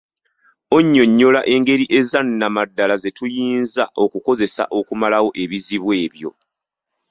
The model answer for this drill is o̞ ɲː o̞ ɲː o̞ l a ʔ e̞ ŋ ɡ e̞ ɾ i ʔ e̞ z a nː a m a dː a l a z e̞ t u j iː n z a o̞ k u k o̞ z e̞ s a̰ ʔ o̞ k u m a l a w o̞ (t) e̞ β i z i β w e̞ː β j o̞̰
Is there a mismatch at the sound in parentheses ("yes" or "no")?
yes